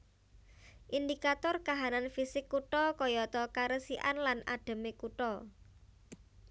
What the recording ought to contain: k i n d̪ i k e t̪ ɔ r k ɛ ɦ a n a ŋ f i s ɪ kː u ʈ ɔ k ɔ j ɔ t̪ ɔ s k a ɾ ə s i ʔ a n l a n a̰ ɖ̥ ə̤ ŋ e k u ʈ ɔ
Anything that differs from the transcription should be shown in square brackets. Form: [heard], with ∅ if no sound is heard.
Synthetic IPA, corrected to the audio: [ʔ] i n d̪ i k [a] t̪ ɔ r k [a] ɦ a n a [n] f i s ɪ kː u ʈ ɔ k ɔ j ɔ t̪ ɔ [∅] k a ɾ ə s i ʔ a n l a n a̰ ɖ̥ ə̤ [m] e k u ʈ ɔ